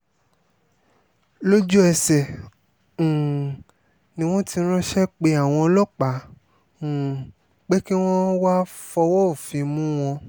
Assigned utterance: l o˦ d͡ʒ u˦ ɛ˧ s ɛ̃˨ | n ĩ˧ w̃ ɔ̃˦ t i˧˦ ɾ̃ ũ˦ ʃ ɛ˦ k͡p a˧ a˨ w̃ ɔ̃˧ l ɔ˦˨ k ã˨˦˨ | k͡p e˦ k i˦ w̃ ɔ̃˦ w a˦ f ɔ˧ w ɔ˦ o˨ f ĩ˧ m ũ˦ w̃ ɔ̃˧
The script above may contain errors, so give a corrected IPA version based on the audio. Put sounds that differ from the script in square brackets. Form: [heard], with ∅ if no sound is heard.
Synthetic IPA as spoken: l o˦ d͡ʒ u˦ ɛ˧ s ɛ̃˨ | n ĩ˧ w̃ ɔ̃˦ t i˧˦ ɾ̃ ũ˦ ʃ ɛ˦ k͡p [e˧] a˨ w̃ ɔ̃˧ l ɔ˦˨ [k͡p] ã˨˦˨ | k͡p e˦ k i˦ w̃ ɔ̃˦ w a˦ f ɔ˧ w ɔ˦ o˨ f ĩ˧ m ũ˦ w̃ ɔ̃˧